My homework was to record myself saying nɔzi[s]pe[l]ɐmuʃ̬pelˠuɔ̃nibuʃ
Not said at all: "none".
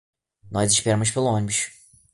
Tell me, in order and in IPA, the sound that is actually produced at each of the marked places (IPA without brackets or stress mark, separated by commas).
ʃ, ɾ